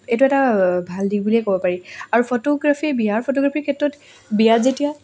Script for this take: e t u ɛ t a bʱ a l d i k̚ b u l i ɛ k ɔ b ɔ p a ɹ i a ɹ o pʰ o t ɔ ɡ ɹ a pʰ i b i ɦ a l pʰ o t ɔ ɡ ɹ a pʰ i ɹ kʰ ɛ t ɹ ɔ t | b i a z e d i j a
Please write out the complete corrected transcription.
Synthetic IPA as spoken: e t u ɛ t a bʱ a l d i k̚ b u l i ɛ k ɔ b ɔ p a ɹ i a ɹ u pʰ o t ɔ ɡ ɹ a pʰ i b i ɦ a ɹ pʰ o t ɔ ɡ ɹ a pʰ i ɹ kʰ ɛ t ɹ ɔ t | b i a z e t i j a